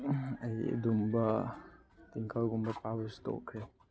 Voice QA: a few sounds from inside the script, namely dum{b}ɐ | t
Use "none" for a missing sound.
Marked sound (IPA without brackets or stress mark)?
b